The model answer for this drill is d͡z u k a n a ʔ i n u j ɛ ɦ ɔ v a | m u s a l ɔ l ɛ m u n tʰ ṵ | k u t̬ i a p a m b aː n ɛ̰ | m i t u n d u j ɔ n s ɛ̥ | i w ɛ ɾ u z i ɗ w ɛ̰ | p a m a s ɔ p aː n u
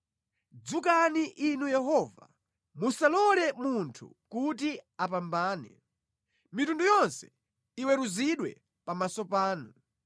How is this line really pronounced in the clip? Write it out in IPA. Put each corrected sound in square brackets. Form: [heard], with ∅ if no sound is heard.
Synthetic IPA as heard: d͡z u k a n [i] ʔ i n u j ɛ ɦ ɔ v a | m u s a l ɔ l ɛ m u n tʰ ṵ | k u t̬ i a p a m b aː n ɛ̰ | m i t u n d u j ɔ n s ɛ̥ | i w ɛ ɾ u z i ɗ w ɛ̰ | p a m a s ɔ p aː n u